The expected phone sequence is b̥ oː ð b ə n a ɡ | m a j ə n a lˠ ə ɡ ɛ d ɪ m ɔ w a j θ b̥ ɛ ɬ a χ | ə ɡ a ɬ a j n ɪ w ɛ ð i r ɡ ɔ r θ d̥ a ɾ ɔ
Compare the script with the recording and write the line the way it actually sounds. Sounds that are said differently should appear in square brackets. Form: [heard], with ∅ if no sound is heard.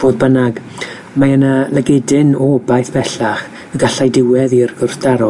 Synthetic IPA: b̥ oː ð b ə n a ɡ | m a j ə n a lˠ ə ɡ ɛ d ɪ [n] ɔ [b] a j θ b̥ ɛ ɬ a χ | ə ɡ a ɬ a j [d] ɪ w ɛ ð i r ɡ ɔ r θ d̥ a ɾ ɔ